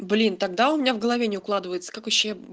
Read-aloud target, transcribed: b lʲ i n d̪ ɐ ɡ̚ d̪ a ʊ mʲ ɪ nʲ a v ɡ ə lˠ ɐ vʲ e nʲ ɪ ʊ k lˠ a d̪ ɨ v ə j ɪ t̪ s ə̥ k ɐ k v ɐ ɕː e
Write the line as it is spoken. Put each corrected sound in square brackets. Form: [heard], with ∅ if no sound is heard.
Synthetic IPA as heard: b lʲ i n [t̪] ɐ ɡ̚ d̪ a ʊ mʲ ɪ nʲ a v ɡ ə lˠ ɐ vʲ e nʲ ɪ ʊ k lˠ a d̪ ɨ v ə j ɪ t̪ s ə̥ k [a] k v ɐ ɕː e